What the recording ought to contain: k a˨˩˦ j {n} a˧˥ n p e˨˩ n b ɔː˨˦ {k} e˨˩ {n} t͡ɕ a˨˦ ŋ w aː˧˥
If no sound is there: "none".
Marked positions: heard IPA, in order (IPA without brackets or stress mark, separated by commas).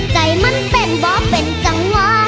m, p, n